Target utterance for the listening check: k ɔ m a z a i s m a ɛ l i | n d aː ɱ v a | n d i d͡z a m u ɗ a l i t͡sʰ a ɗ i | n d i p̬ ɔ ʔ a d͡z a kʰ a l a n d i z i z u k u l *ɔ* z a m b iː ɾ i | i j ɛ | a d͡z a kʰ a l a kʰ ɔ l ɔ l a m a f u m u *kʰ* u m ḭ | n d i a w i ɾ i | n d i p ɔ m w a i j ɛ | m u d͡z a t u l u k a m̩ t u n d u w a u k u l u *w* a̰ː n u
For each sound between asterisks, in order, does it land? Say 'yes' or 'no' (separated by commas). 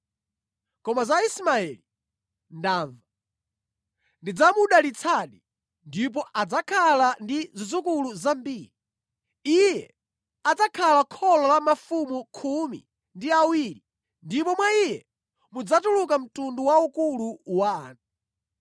no, yes, yes